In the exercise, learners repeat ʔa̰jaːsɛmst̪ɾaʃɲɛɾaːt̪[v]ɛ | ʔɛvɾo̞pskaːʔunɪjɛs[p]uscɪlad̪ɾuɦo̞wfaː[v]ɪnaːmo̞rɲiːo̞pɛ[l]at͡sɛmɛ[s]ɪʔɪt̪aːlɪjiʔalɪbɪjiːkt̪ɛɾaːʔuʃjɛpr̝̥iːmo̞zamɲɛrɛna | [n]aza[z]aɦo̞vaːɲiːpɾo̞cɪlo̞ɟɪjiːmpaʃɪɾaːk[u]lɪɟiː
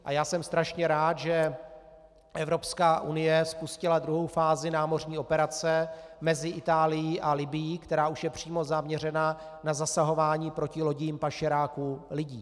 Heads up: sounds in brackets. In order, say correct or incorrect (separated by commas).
incorrect, correct, incorrect, incorrect, incorrect, correct, incorrect, correct